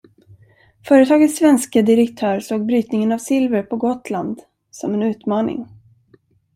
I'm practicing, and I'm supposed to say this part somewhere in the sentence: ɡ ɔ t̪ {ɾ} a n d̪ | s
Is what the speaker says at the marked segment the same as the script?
no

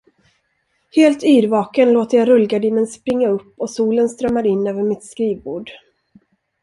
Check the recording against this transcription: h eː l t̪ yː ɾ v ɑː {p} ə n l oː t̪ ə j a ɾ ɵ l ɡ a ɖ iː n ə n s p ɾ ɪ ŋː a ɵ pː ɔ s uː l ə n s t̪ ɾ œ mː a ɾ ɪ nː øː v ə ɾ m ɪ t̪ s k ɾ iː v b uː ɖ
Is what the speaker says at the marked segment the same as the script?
no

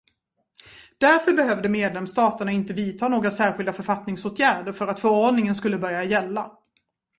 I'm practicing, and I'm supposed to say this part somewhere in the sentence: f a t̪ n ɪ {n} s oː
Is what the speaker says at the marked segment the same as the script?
no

